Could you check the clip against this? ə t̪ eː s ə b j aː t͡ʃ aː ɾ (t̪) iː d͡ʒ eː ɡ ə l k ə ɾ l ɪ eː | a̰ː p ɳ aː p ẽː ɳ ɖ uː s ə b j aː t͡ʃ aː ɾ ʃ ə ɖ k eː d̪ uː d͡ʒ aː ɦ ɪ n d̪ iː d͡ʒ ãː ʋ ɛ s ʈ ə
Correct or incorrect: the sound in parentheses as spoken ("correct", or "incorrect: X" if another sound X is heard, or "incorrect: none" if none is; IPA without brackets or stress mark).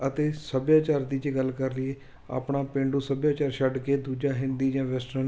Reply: incorrect: d̪